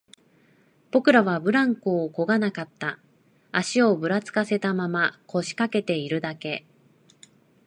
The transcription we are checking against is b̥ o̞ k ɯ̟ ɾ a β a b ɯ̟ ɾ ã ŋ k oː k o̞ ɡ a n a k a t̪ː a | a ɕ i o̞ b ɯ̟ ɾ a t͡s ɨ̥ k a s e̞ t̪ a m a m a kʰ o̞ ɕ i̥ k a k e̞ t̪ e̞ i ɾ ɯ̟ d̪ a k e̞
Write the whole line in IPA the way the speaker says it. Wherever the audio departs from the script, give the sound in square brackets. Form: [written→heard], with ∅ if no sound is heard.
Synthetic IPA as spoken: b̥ o̞ k ɯ̟ ɾ a β a b ɯ̟ ɾ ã ŋ k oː k o̞ ɡ a n a k a t̪ː a | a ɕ i o̞ b ɯ̟ ɾ a t͡s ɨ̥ k a s e̞ t̪ a m a m a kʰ o̞ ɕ i̥ k a k e̞ t̪ e̞ i ɾ ɯ̟ d̪ a k e̞